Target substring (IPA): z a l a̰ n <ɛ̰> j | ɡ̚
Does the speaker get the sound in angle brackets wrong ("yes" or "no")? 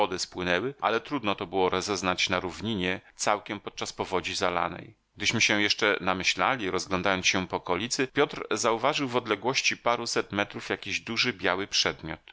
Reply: no